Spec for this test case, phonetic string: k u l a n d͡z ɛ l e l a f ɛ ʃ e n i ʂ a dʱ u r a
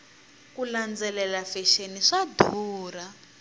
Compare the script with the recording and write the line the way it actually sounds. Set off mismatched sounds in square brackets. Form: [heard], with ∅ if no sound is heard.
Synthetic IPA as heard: k u l a n d͡z ɛ l [ɛ] l a f ɛ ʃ e n i ʂ a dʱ [uː] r a